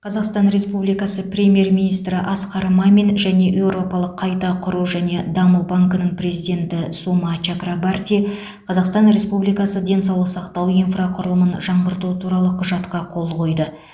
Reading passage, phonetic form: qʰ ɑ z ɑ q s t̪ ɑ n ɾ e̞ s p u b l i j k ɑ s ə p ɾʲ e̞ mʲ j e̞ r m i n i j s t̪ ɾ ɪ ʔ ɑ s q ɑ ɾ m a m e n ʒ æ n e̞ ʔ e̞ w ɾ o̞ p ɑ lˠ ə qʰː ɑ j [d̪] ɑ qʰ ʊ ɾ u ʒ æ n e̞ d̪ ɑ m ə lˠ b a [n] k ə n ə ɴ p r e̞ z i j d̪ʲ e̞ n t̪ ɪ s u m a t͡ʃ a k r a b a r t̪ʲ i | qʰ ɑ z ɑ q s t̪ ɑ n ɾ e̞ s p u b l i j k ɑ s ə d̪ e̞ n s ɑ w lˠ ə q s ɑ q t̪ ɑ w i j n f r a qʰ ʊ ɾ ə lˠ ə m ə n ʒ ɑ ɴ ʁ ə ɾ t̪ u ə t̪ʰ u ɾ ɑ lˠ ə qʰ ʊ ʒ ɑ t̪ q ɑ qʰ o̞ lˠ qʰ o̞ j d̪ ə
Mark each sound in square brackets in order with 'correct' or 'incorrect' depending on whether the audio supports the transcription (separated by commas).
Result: incorrect, incorrect